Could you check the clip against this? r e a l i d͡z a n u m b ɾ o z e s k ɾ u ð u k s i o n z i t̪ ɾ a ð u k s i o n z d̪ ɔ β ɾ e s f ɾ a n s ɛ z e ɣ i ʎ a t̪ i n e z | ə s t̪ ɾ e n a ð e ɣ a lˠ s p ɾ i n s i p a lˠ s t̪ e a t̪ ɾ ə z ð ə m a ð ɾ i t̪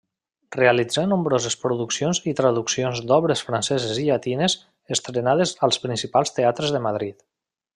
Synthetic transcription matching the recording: r e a l i d͡z a n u m b ɾ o z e s p ɾ u ð u k s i o n z i t̪ ɾ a ð u k s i o n z d̪ ɔ β ɾ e s f ɾ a n s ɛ z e z i ʎ a t̪ i n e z | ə s t̪ ɾ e n a ð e z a lˠ s p ɾ i n s i p a lˠ s t̪ e a t̪ ɾ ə z ð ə m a ð ɾ i t̪